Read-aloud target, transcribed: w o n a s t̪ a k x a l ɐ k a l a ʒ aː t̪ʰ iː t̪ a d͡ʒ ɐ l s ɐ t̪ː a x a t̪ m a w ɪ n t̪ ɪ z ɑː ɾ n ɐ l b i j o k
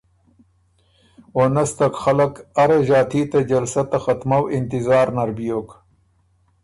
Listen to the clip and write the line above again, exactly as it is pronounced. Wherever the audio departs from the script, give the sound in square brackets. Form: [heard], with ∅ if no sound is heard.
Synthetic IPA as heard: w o n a s t̪ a k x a l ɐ k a [ɾ] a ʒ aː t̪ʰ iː t̪ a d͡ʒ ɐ l s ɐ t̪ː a x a t̪ m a w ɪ n t̪ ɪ z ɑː ɾ n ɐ [ɾ] b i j o k